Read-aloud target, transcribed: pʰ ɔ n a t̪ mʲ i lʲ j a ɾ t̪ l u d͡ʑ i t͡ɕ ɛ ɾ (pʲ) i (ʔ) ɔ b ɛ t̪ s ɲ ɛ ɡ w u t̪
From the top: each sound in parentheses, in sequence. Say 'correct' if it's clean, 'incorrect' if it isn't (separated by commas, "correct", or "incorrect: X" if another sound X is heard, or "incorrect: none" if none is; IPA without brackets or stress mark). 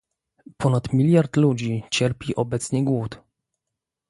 correct, correct